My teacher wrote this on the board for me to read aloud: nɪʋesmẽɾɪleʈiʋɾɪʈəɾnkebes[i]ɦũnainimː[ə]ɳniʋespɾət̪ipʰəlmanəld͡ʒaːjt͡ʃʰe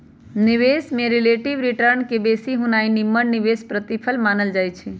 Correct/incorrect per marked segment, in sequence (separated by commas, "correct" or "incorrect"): correct, correct